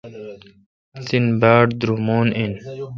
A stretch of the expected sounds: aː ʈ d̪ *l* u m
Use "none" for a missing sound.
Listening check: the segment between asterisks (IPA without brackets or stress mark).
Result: ɾ